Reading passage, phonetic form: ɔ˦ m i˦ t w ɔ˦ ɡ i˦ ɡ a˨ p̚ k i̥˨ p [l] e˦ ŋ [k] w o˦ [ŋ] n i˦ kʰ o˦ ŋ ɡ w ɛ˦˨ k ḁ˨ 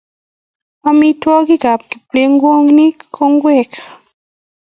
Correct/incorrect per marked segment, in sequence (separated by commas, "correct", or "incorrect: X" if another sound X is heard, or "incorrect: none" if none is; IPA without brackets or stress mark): correct, incorrect: ɡ, correct